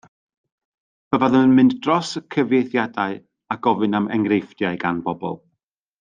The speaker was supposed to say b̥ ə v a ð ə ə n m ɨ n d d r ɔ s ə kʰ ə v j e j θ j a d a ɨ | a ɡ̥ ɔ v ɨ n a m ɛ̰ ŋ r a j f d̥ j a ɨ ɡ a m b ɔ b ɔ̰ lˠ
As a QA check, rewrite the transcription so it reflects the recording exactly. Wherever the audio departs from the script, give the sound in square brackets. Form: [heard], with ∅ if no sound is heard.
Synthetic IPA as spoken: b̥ ə v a ð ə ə n m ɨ n d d r ɔ s ə kʰ ə v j e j θ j a d a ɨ | a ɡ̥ ɔ v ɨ n a m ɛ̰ ŋ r [e] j f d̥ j a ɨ ɡ a [n] b ɔ b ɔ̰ lˠ